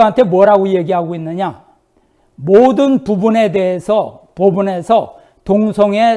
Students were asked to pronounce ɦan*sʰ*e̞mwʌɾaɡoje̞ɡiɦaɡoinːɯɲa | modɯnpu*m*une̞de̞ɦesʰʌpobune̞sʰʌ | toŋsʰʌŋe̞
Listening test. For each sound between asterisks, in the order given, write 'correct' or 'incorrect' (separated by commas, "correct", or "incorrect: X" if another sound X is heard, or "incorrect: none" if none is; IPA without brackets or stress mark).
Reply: incorrect: tʰ, incorrect: b